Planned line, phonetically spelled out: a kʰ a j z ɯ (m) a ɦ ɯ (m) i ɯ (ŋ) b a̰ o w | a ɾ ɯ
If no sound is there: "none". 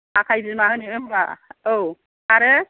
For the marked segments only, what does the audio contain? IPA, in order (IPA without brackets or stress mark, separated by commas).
m, n, m